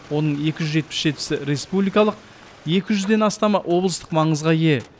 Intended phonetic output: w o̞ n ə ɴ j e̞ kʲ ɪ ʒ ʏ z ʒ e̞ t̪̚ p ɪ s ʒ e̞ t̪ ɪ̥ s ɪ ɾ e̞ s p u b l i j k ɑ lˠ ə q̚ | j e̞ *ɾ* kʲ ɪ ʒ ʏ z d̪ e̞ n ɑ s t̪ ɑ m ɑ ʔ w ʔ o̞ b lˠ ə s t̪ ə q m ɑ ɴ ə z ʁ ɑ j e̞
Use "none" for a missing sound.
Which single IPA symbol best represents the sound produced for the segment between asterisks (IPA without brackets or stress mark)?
none